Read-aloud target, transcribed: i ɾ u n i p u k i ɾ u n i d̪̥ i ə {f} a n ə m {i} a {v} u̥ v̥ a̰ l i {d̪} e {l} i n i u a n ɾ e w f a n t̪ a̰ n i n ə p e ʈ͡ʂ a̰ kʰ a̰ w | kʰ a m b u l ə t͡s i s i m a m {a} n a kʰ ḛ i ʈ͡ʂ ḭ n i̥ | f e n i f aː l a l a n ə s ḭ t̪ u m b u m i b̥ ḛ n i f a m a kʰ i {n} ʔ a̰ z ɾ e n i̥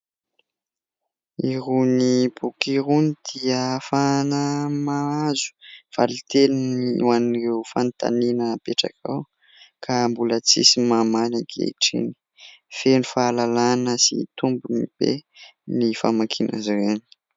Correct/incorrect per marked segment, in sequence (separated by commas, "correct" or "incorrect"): correct, incorrect, incorrect, incorrect, correct, correct, correct